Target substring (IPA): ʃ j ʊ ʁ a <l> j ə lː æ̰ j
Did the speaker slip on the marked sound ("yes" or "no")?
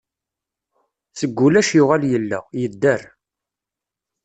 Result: no